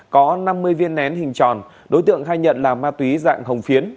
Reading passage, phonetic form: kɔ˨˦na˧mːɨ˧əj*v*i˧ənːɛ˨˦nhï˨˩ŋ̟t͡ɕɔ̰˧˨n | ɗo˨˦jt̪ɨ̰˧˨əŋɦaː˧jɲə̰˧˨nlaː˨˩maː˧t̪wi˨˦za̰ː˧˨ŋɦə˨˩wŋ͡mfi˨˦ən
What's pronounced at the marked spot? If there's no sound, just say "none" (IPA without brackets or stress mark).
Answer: v